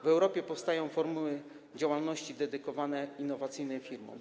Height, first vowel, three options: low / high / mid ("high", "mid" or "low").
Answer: mid